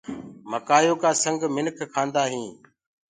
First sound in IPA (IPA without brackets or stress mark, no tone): m